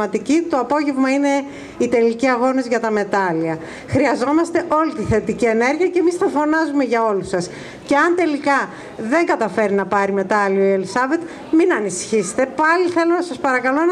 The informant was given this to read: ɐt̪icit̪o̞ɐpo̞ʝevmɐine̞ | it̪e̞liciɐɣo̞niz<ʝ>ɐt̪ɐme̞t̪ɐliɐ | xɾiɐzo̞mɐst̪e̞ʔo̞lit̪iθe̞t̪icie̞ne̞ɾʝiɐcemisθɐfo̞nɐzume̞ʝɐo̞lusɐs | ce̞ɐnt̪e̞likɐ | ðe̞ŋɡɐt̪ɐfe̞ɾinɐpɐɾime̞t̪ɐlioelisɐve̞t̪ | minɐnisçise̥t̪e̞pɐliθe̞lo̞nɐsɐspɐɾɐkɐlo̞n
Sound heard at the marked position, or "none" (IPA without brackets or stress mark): ʝ